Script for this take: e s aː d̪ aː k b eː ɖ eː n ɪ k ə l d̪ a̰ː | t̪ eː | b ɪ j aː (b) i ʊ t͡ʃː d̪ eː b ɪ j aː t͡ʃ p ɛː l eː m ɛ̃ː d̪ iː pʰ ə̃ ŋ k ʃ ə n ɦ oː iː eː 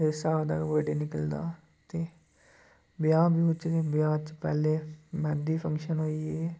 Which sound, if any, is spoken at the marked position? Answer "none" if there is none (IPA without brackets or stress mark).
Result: b